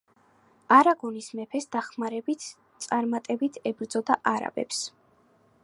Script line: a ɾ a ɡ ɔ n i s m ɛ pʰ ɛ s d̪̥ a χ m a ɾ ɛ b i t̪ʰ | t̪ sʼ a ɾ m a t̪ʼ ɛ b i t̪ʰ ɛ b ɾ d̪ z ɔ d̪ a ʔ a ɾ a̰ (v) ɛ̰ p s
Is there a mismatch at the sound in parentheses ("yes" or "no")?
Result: yes